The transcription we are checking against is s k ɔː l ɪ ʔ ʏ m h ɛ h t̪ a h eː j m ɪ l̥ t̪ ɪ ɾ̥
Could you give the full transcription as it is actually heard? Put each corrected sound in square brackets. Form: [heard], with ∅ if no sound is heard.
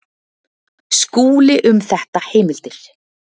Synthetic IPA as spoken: s k [uː] l ɪ ʔ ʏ m [θ] ɛ h t̪ a h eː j m ɪ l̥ t̪ ɪ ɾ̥

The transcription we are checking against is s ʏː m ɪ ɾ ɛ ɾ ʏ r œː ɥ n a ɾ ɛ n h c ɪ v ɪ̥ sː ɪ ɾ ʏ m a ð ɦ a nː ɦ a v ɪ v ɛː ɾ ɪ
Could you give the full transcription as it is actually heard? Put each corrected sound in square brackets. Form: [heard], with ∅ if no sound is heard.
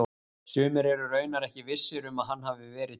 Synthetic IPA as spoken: s ʏː m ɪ ɾ ɛ ɾ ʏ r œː ɥ n a ɾ ɛ [∅] h c ɪ v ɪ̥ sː ɪ ɾ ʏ m a ð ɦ a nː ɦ a v ɪ v ɛː ɾ ɪ

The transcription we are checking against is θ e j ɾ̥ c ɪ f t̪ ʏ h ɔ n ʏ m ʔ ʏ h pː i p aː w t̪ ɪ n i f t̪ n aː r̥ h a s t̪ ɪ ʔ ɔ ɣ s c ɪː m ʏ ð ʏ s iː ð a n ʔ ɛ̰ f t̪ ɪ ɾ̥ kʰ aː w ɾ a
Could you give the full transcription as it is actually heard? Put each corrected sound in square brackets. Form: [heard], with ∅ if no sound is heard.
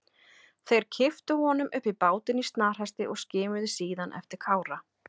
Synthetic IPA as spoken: θ e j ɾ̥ [cʰ] ɪ f t̪ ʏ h ɔ n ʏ m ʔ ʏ h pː i p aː w t̪ ɪ n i [s] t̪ n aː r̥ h a s t̪ ɪ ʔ ɔ ɣ s c ɪː m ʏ ð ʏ s iː ð a n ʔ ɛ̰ f t̪ ɪ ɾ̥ kʰ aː w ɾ a

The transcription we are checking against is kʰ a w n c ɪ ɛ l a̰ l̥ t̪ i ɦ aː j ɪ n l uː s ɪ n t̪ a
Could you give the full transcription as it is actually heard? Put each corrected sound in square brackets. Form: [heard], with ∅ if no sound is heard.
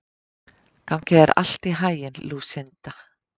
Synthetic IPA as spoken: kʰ a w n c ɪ ɛ [ɾ] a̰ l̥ t̪ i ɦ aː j ɪ n l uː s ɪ n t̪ a

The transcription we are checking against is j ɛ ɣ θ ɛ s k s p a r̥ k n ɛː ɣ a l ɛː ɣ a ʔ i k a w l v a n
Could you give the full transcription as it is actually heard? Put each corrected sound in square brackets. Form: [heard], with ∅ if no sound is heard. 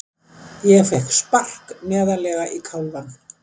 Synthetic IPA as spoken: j ɛ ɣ [f] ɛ [h] k s p a r̥ k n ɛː [ð] a l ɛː ɣ a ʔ i [kʰ] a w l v a n

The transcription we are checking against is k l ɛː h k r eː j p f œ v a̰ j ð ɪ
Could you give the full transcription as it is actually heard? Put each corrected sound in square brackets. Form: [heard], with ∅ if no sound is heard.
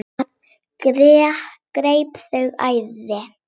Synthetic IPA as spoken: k [ɾ] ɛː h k [ɾ] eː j p [θ] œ [ɣ] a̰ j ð ɪ

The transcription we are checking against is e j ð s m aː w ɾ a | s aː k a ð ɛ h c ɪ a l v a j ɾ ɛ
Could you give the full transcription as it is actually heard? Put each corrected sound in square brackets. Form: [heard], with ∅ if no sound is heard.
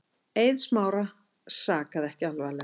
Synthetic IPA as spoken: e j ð s m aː w ɾ a | s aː k a ð ɛ h c ɪ a l v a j [l] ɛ

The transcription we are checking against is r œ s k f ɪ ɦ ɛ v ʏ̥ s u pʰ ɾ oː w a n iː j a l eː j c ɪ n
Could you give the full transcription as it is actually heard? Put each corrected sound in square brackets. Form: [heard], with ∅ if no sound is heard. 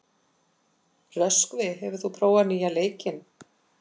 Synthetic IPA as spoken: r œ s k [v] ɪ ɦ ɛ v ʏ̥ [θ] u pʰ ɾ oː w a n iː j a l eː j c ɪ n

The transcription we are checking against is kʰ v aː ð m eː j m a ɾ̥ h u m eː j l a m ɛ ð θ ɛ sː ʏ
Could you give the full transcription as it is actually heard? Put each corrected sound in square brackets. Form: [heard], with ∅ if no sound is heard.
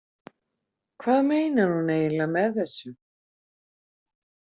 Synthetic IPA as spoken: kʰ v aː ð m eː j [n] a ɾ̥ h u [n] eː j l a m ɛ ð θ ɛ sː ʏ

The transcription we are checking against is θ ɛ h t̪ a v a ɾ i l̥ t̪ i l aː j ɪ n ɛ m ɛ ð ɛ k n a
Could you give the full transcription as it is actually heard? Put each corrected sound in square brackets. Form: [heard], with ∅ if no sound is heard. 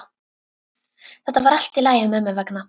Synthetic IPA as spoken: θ ɛ h t̪ a v a ɾ [a] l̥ t̪ i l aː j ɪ [m] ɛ m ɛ [v] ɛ k n a

